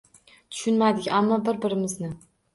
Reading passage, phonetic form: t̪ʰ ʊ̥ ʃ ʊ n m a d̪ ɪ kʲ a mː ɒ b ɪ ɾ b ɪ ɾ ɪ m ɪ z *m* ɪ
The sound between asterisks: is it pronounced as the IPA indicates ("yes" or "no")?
no